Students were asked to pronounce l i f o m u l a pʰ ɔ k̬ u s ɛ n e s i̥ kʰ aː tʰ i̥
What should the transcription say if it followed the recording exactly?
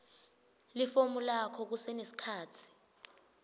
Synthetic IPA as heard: l i f o m u l a kʰ ɔ k̬ u s ɛ n e s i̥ kʰ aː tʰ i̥